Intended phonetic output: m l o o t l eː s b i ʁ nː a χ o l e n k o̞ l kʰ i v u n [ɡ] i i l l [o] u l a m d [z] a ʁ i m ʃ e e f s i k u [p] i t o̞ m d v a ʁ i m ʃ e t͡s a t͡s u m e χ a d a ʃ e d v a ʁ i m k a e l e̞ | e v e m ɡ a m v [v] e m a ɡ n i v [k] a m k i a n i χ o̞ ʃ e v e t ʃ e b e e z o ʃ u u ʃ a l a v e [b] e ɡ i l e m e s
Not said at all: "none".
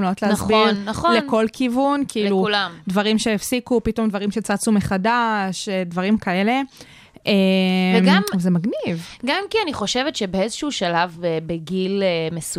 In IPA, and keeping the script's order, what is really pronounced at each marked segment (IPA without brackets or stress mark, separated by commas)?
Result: k, u, v, p, z, ɡ, b